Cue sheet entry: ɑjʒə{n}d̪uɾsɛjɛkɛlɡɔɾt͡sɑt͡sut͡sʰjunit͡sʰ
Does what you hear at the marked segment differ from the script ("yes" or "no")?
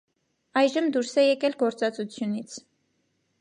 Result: yes